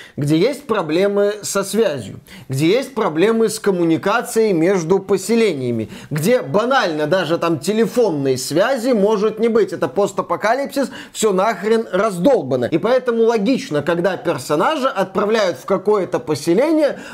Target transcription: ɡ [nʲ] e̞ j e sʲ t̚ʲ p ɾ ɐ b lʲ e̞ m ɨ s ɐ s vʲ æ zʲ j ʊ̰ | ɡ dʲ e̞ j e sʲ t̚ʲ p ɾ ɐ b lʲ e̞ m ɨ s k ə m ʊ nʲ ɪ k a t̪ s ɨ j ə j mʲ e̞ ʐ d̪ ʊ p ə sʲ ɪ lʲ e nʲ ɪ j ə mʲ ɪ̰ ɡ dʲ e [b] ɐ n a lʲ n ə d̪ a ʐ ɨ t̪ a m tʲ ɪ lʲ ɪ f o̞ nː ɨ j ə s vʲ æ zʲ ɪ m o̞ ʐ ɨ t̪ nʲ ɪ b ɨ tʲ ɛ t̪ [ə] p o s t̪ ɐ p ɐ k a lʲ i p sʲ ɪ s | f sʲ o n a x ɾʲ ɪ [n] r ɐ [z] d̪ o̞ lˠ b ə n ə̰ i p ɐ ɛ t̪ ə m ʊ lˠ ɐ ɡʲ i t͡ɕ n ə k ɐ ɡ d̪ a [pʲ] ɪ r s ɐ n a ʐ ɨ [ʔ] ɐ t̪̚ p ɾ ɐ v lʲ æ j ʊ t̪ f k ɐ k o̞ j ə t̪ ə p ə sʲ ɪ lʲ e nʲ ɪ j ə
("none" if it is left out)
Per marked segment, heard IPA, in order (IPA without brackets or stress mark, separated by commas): dʲ, b, ə, n, z, pʲ, ʔ